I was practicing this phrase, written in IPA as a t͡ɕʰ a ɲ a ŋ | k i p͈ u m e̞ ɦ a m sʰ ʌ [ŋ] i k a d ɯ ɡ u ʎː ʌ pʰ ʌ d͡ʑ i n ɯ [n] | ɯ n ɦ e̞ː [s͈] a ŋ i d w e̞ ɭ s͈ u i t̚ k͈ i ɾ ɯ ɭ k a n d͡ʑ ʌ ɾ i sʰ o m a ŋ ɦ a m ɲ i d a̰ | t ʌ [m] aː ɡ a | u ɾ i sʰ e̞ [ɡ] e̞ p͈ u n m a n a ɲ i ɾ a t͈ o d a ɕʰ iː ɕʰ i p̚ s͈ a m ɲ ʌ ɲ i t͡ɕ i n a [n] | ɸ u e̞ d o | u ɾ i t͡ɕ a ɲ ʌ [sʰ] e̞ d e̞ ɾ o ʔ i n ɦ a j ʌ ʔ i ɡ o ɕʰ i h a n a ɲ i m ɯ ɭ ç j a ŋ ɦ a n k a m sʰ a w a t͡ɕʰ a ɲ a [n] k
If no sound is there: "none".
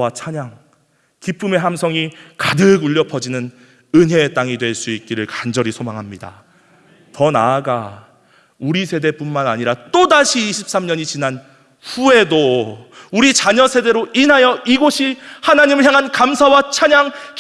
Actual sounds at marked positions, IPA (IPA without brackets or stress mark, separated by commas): ŋ, n, t͈, n, d, n, sʰ, ŋ